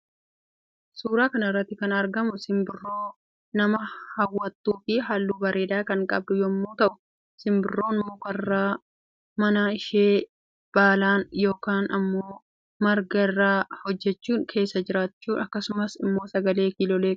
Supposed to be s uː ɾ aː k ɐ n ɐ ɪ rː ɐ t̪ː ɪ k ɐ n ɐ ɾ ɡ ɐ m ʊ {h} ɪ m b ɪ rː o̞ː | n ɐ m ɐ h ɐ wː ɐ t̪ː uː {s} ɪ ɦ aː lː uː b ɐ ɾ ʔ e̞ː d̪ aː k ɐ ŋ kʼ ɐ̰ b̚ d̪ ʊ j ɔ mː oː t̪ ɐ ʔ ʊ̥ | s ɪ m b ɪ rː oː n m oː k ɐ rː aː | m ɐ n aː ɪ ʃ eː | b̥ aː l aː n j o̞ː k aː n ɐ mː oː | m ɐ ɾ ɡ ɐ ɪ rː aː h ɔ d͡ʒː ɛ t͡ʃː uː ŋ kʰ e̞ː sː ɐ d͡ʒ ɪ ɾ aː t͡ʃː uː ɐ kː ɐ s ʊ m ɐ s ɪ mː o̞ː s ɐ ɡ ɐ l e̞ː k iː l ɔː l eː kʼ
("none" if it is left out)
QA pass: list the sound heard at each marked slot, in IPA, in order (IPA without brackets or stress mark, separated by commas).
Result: s, f